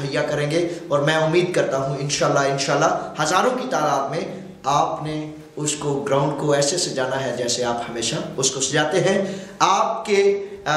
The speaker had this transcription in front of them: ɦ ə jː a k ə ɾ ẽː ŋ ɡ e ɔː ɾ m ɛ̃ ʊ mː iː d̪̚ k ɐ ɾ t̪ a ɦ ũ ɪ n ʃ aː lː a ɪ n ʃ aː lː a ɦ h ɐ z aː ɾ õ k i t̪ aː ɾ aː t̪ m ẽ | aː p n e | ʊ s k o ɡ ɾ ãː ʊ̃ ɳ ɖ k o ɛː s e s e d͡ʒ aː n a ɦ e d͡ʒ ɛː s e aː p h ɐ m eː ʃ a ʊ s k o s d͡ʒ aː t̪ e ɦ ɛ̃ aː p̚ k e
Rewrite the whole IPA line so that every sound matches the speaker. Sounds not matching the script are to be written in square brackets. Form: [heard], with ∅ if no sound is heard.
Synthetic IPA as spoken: ɦ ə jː a k [ɐ] ɾ ẽː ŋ ɡ e ɔː ɾ m ɛ̃ ʊ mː iː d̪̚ k ɐ ɾ t̪ a ɦ ũ ɪ n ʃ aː lː a ɪ n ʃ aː lː a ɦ h ɐ z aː ɾ õ k i t̪ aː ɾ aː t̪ m ẽ | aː p n e | ʊ s k o ɡ ɾ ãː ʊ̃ ɳ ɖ k o ɛː s e s e d͡ʒ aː n a ɦ [ɛ] d͡ʒ ɛː s e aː p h ɐ m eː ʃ a ʊ s k o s d͡ʒ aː t̪ e ɦ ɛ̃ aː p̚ k e